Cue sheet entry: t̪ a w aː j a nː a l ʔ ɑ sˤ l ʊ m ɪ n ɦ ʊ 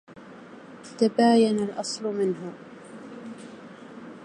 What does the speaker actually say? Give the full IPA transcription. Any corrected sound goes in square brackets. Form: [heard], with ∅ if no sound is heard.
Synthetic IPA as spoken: t̪ a [b] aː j a [n] a l ʔ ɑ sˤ l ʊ m ɪ n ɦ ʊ